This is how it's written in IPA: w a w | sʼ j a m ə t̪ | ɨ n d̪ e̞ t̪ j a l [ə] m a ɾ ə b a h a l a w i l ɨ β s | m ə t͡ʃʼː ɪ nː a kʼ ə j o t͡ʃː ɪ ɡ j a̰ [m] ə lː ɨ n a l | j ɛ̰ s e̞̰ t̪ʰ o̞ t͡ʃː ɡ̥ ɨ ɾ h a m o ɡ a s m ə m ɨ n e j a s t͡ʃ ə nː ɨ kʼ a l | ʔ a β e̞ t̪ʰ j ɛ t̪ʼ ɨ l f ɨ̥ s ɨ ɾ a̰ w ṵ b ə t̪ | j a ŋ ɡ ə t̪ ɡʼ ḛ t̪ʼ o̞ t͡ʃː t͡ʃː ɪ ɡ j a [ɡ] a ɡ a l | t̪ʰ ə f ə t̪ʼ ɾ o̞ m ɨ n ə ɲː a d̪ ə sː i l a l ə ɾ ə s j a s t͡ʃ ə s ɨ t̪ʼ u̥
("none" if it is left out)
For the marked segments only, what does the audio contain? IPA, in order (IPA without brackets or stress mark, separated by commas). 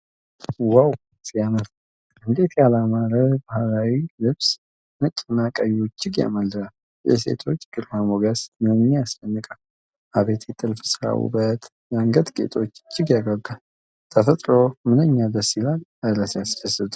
a, m, ɡ